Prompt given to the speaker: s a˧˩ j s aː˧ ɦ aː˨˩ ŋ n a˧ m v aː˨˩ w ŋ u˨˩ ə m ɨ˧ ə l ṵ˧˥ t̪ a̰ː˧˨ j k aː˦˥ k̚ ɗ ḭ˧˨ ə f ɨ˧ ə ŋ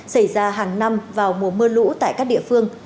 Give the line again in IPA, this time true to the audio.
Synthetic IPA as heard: s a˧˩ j z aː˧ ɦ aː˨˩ ŋ n a˧ m v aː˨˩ w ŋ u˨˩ ə m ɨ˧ ə l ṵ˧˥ t̪ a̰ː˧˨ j k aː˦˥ k̚ ɗ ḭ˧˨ ə f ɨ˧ ə ŋ

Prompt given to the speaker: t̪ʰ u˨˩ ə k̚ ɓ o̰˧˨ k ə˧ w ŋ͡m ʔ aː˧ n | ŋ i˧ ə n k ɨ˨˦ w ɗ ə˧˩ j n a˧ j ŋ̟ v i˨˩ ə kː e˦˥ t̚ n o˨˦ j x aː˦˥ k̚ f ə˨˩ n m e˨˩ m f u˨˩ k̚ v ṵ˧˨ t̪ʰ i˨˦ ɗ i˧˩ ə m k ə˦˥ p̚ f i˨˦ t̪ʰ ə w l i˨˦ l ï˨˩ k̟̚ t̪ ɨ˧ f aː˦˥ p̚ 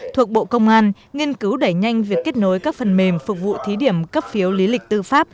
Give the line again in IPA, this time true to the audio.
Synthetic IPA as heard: t̪ʰ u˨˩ ə k̚ ɓ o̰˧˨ k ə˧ w ŋ͡m ʔ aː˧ n | ŋ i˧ ə n k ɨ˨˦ w ɗ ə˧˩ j ɲ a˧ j ŋ̟ v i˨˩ ə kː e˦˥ t̚ n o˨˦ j k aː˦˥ k̚ f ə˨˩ n m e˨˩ m f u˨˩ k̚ v ṵ˧˨ t̪ʰ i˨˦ ɗ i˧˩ ə m k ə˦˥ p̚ f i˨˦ ə w l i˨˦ l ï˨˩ k̟̚ t̪ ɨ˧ f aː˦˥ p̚

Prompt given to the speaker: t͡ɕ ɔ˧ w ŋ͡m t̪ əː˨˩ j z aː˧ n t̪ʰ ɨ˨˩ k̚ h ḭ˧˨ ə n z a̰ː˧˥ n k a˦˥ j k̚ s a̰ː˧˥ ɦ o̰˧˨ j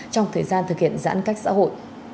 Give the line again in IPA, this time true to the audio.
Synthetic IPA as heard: t͡ɕ ɔ˧ w ŋ͡m t̪ʰ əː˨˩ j z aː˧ n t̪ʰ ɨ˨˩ k̚ h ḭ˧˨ ə n z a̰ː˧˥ n k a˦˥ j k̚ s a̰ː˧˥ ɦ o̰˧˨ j

